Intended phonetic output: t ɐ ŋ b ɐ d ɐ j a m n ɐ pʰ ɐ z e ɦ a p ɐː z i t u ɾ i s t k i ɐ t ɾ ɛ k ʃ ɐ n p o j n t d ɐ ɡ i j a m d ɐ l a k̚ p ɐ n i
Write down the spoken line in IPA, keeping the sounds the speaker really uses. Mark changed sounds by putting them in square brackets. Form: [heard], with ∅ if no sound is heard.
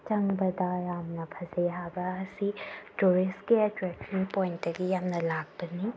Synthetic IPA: [t͡ʃ] ɐ ŋ b ɐ d ɐ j a m n ɐ pʰ ɐ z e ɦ a [b] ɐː [s] i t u ɾ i s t k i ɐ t ɾ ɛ k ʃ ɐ n p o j n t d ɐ ɡ i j a m [n] ɐ l a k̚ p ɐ n i